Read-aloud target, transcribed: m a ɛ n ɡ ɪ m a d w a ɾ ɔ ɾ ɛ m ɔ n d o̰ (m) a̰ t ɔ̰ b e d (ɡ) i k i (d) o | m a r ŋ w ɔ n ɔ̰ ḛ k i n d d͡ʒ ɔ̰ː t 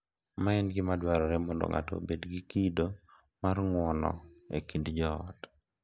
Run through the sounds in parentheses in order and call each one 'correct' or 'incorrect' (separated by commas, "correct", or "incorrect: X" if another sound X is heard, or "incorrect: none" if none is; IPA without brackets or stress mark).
incorrect: ŋ, correct, correct